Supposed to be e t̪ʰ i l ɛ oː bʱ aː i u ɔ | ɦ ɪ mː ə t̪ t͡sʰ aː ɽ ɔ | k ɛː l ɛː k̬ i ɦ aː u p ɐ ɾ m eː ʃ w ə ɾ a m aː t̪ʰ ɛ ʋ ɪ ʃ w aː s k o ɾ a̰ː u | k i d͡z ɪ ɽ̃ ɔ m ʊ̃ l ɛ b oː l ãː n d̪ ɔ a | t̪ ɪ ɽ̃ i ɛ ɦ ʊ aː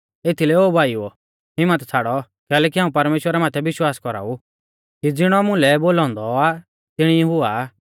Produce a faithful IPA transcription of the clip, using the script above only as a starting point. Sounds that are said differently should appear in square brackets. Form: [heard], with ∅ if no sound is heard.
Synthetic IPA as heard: e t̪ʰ i l ɛ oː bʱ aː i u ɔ | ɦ ɪ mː ə t̪ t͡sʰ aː ɽ ɔ | k ɛː l ɛː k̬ i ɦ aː [ũ] p ɐ ɾ m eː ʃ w ə ɾ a m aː t̪ʰ ɛ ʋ ɪ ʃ w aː s k [ɔ] ɾ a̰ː u | k i d͡z ɪ ɽ̃ ɔ m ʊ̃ l ɛ b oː l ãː n d̪ ɔ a | t̪ ɪ ɽ̃ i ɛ ɦ ʊ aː